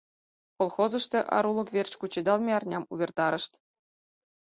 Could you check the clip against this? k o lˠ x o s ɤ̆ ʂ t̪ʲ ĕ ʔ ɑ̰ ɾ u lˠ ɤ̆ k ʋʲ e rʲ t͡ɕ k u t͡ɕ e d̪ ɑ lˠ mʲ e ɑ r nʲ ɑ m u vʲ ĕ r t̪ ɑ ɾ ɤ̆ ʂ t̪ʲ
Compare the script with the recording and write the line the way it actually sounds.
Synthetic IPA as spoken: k o lˠ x o z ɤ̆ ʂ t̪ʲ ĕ ʔ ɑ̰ ɾ u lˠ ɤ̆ k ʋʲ e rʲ t͡ɕ k u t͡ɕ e d̪ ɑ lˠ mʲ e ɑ r nʲ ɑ m u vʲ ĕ r t̪ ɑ ɾ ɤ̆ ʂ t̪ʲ